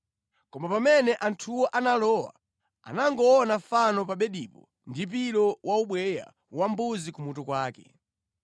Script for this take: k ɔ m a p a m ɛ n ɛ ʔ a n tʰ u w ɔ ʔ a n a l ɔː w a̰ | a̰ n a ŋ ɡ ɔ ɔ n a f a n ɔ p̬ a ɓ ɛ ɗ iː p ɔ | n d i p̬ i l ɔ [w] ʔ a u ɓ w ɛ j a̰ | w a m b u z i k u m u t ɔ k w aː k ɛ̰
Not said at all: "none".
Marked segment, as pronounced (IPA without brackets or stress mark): w